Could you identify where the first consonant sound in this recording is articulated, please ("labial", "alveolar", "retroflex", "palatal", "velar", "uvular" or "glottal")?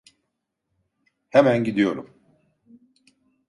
glottal